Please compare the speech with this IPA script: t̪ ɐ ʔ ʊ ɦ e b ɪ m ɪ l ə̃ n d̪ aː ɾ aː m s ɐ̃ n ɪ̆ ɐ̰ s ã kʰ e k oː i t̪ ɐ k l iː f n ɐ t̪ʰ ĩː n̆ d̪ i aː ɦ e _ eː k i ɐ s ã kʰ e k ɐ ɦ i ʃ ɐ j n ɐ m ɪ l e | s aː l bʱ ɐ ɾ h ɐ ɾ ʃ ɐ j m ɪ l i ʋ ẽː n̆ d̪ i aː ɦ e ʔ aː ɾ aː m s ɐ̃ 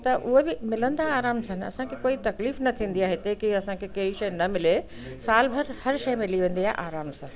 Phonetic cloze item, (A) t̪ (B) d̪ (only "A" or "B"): A